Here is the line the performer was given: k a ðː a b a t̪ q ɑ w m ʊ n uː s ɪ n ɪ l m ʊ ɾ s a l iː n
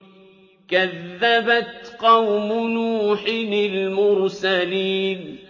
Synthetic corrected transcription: k a ðː a b a t̪ q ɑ w m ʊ n uː ħ ɪ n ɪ l m ʊ ɾ s a l iː n